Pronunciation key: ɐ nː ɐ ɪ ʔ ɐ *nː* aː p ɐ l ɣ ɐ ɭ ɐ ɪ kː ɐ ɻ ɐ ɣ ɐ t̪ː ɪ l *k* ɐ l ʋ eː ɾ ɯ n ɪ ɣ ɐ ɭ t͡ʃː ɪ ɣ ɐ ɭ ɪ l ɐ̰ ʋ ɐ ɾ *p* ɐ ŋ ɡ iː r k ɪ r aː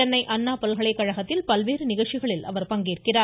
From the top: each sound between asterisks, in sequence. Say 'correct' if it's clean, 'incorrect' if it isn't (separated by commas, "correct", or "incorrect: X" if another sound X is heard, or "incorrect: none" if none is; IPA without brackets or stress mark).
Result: correct, incorrect: p, correct